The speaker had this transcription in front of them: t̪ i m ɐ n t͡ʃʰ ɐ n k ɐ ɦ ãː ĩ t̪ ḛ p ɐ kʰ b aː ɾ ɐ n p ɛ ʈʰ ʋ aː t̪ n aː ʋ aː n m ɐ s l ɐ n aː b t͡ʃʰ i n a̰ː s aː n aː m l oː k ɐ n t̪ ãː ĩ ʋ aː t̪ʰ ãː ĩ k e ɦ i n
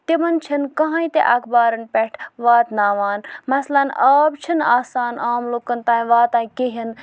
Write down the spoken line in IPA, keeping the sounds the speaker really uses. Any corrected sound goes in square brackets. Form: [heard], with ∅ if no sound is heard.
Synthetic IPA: t̪ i m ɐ n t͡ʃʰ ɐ n k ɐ ɦ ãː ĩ t̪ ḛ [ʔ] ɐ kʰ b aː ɾ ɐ n p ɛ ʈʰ ʋ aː t̪ n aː ʋ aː n m ɐ s l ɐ n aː b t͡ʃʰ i n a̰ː s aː n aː m l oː k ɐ n t̪ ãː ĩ ʋ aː [t̪] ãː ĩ k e ɦ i n